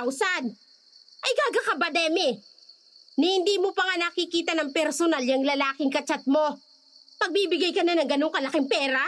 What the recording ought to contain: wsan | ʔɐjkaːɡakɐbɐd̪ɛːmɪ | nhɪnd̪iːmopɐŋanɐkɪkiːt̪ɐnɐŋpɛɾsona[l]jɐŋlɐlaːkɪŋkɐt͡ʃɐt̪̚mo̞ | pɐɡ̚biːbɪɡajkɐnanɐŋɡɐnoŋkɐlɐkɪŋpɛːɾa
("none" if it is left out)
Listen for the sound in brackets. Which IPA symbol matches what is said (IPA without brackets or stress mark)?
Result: l